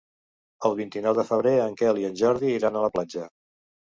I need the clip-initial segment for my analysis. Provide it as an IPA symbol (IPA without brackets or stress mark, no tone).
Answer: ə